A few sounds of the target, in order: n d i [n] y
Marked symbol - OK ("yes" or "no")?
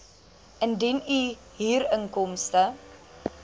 yes